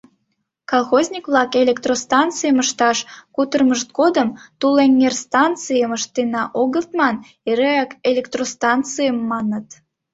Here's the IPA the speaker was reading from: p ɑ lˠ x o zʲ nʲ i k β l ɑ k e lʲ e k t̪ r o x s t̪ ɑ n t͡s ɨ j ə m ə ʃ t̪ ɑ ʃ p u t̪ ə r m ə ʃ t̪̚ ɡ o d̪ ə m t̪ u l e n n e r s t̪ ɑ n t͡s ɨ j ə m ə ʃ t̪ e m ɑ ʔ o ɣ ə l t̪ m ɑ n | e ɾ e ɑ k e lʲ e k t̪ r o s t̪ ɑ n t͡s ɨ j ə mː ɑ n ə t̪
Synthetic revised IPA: k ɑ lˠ x o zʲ nʲ i k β l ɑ k e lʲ e k t̪ r o s t̪ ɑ n t͡s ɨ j ə m ə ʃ t̪ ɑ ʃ k u t̪ ə r m ə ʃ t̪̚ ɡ o d̪ ə m t̪ u l e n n e r s t̪ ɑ n t͡s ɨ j ə m ə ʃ t̪ e n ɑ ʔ o ɣ ə l t̪ m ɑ n | e ɾ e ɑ k e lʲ e k t̪ r o s t̪ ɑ n t͡s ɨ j ə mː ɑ n ə t̪